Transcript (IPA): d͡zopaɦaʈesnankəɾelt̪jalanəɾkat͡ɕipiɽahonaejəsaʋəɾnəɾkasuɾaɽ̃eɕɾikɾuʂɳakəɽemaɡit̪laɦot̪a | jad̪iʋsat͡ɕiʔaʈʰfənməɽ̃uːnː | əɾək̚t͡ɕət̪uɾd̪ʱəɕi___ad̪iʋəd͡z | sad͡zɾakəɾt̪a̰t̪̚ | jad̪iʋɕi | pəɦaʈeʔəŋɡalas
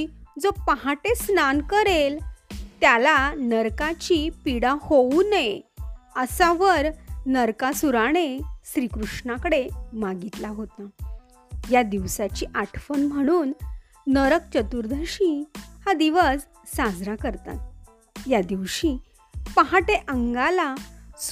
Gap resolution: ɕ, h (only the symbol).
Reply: h